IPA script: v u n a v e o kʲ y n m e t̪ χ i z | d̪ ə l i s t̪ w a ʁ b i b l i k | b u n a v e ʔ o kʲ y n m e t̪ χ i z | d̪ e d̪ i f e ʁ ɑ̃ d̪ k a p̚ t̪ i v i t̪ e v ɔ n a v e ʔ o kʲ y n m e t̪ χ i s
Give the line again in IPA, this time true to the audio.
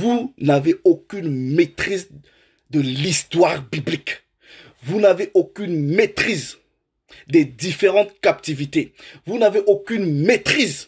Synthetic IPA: v u n a v e o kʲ y n m e t̪ χ i z | d̪ ə l i s t̪ w a ʁ b i b l i k | v u n a v e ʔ o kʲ y n m e t̪ χ i z | d̪ e d̪ i f e ʁ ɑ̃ t̪ k a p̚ t̪ i v i t̪ e v u n a v e ʔ o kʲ y n m e t̪ χ i z

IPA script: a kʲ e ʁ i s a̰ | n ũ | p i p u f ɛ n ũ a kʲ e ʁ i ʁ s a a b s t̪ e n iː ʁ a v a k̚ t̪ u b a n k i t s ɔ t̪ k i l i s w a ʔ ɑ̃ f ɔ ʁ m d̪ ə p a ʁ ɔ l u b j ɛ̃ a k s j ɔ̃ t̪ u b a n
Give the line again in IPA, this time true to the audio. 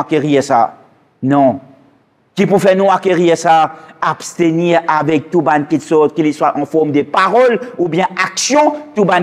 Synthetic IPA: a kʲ e ʁ i s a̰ | n ɔ̃ | k i p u f ɛ n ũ a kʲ e ʁ i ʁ s a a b s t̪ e n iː ʁ a v ɛ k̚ t̪ u b a n k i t s ɔ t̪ k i l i s w a ʔ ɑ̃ f ɔ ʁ m d̪ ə p a ʁ ɔ l u b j ɛ̃ a k s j ɔ̃ t̪ u b a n

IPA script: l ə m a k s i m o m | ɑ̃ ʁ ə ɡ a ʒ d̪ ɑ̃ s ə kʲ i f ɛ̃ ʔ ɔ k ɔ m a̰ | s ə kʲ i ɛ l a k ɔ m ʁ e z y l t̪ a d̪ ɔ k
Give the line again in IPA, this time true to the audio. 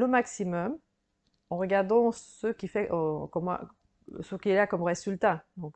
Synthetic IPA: l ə m a k s i m ɔ m | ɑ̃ ʁ ə ɡ a ʁ d̪ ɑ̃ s ə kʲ i f ɛ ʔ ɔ k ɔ m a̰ | s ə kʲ i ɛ l a k ɔ m ʁ e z y l t̪ a d̪ ɔ̃ k

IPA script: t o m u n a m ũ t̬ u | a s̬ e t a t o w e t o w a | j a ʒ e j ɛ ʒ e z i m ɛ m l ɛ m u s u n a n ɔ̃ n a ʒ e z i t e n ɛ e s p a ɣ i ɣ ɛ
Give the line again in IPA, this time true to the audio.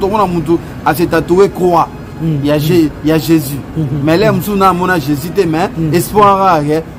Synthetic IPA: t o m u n a m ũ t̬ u | a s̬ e t a t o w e k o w a | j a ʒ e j a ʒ e z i m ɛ l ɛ m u s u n a m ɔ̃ n a ʒ e z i t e m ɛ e s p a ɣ a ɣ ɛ

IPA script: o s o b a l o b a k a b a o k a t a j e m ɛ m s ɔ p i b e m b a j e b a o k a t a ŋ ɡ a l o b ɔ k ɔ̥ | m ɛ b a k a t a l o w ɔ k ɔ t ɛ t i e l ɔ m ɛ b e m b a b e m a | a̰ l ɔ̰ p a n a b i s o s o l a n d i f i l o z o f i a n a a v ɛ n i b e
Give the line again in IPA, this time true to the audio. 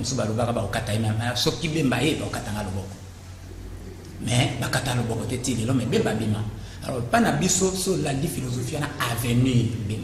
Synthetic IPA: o s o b a l o b a k a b a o k a t a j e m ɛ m s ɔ k i b e m b a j e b a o k a t a ŋ ɡ a l o b ɔ k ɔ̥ | m ɛ b a k a t a l o b ɔ k ɔ t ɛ t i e l ɔ m ɛ b e m b a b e m a | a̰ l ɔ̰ p a n a b i s o s o l a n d i f i l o z o f i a n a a v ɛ n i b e

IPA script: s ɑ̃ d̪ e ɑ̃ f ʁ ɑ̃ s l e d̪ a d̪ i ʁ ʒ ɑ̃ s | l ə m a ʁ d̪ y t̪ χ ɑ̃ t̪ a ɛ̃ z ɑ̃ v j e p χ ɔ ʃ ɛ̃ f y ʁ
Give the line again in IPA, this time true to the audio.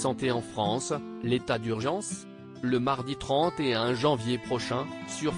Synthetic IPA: s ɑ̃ t̪ e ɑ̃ f χ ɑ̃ s l e t̪ a d̪ y ʁ ʒ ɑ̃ s | l ə m a ʁ d̪ i t̪ χ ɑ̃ t̪ e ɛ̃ ʒ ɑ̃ v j e p χ ɔ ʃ ɛ̃ s y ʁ

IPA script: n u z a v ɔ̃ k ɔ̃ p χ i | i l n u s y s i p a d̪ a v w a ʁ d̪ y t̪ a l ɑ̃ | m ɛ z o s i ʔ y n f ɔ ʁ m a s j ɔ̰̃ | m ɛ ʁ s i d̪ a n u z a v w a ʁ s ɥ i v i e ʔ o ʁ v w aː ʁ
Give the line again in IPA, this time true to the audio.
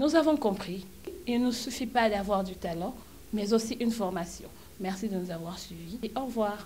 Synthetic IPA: n u z a v ɔ̃ k ɔ̃ p χ i | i l n u s y f i p a d̪ a v w a ʁ d̪ y t̪ a l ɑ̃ | m ɛ z o s i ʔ y n f ɔ ʁ m a s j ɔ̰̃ | m ɛ ʁ s i d̪ ə n u z a v w a ʁ s ɥ i v i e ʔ ɔ ʁ v w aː ʁ

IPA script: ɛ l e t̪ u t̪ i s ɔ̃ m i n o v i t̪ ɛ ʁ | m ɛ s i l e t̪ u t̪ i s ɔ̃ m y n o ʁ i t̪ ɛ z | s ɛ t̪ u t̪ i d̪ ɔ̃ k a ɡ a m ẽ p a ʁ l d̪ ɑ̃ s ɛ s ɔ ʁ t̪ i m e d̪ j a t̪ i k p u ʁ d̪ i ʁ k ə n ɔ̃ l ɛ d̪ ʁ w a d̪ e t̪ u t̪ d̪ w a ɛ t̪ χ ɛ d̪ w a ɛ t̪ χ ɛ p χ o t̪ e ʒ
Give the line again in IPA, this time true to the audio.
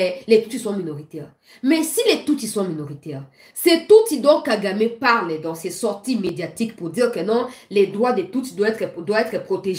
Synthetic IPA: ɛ l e t̪ u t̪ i s ɔ̃ m i n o ʁ i t̪ ɛ ʁ | m ɛ s i l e t̪ u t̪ i s ɔ̃ m i n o ʁ i t̪ ɛ ʁ | s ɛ t̪ u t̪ i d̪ ɔ̃ k a ɡ a m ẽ p a ʁ l d̪ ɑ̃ s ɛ s ɔ ʁ t̪ i m e d̪ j a t̪ i k p u ʁ d̪ i ʁ k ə n ɔ̃ l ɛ d̪ ʁ w a d̪ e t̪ u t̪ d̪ w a ɛ t̪ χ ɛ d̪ w a ɛ t̪ χ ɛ p χ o t̪ e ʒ

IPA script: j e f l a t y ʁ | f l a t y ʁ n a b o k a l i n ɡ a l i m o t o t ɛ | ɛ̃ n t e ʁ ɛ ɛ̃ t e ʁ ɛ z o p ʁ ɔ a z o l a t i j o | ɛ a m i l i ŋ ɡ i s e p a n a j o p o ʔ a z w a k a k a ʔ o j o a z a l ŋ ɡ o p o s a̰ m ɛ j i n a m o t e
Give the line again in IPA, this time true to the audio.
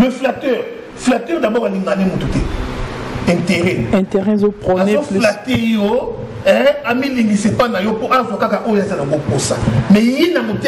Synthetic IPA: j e f l a t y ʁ | f l a t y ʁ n a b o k a l i ŋ ɡ a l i m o t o t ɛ | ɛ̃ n t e ʁ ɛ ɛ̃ t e ʁ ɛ z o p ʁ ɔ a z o l a t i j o | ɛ a m i l i ŋ ɡ i s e p a n a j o p o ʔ a z w a k a k a ʔ o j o a z a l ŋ ɡ o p o s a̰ m ɛ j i n a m o t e

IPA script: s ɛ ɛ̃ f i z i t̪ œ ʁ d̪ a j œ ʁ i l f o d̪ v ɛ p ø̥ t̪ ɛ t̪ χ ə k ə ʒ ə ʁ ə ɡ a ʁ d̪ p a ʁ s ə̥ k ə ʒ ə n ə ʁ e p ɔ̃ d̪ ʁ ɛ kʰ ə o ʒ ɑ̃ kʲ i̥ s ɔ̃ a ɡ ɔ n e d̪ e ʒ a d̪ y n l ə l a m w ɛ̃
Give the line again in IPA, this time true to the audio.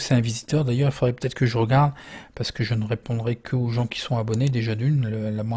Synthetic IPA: s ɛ ɛ̃ v i z i t̪ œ ʁ d̪ a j œ ʁ i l f o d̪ ʁ ɛ p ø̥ t̪ ɛ t̪ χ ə k ə ʒ ə ʁ ə ɡ a ʁ d̪ p a ʁ s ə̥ k ə ʒ ə n ə ʁ e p ɔ̃ d̪ ʁ ɛ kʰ ə o ʒ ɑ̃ kʲ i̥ s ɔ̃ a b ɔ n e d̪ e ʒ a d̪ y n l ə l a m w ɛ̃

